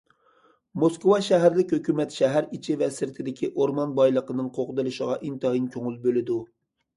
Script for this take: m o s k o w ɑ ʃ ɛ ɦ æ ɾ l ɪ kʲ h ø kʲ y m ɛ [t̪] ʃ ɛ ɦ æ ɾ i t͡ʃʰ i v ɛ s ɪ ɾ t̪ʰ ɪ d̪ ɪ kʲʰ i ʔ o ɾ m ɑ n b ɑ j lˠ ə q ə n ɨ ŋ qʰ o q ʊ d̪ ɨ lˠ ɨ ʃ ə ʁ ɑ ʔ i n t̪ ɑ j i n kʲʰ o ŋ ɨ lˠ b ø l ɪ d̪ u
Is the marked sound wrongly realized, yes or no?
no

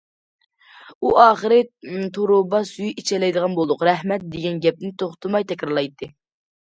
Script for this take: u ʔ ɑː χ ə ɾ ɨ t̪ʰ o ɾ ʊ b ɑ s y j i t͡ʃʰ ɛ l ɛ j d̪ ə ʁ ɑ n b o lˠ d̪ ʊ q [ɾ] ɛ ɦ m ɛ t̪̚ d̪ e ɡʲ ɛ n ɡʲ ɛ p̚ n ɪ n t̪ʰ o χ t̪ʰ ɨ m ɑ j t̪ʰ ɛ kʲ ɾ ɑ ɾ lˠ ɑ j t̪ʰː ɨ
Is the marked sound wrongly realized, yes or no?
no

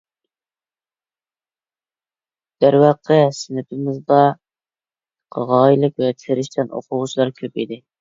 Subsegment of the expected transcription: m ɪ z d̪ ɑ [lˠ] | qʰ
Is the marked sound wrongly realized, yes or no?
yes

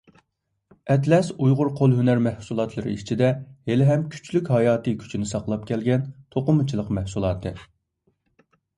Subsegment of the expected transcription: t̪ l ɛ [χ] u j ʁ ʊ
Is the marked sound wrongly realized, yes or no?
yes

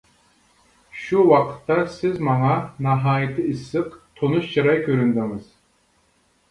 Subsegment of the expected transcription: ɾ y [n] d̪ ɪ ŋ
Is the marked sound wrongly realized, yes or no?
no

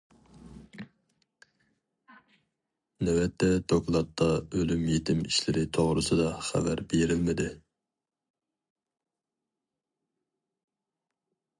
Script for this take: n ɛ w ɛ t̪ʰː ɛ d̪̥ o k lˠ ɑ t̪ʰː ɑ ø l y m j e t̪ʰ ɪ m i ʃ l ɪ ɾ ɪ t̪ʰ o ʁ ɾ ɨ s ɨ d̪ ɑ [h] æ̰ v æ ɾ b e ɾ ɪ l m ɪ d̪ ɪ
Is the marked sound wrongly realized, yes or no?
yes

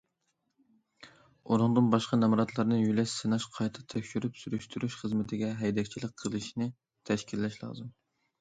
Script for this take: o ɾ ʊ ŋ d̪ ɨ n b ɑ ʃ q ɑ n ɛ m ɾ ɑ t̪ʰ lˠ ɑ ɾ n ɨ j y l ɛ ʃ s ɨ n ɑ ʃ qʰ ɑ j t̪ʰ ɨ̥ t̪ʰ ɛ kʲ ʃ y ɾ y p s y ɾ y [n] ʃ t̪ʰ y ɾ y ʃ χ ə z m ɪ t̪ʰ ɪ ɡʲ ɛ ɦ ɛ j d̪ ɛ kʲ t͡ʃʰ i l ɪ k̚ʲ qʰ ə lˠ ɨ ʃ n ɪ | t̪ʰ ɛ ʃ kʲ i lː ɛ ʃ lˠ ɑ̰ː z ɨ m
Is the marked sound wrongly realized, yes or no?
yes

